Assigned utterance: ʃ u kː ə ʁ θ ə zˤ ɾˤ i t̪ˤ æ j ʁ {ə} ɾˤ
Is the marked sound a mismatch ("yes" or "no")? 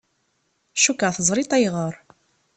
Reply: no